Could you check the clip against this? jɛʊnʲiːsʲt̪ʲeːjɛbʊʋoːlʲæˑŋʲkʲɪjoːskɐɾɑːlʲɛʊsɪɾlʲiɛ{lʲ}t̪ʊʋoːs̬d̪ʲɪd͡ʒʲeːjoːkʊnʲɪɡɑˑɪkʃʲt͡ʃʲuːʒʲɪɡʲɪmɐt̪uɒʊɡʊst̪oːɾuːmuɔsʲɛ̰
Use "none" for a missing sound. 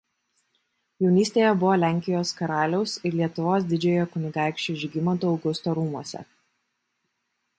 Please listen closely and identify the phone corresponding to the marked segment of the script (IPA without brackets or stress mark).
none